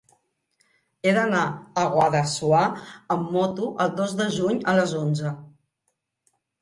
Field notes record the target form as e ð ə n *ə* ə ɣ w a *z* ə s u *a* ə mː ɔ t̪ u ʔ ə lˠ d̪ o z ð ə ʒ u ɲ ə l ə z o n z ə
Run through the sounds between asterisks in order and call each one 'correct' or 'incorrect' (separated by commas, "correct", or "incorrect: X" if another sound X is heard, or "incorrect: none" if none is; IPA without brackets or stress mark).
incorrect: a, incorrect: ð, correct